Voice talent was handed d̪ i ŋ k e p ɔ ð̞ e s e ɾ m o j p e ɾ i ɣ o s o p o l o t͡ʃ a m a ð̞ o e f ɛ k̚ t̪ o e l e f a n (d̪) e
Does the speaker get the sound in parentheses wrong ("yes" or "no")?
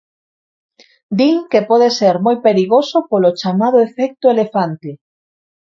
yes